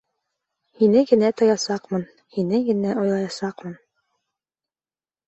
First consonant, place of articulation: glottal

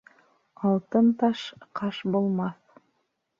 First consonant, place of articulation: alveolar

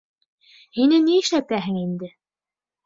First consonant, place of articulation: glottal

